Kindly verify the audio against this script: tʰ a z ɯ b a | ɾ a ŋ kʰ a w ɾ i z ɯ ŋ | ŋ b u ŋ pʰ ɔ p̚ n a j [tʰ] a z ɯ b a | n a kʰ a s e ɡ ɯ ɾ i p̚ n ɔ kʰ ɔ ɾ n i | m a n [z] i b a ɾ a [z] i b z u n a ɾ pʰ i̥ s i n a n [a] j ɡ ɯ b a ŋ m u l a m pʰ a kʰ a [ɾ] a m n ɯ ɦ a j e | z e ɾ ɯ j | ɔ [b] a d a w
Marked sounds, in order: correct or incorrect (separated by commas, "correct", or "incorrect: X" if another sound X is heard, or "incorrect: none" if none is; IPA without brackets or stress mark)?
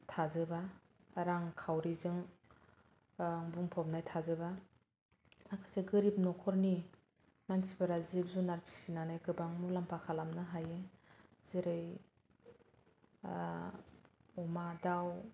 correct, incorrect: s, correct, correct, incorrect: l, incorrect: m